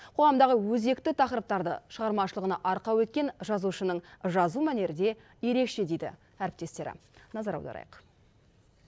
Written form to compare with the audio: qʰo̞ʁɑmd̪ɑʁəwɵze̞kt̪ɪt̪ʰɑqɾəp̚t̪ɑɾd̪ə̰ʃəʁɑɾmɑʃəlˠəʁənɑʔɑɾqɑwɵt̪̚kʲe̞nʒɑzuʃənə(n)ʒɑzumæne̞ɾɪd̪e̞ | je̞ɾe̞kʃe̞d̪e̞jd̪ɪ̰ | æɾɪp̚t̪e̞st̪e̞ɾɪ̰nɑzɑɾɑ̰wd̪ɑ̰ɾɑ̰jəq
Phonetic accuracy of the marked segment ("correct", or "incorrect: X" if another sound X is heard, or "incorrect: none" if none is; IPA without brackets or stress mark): incorrect: ɴ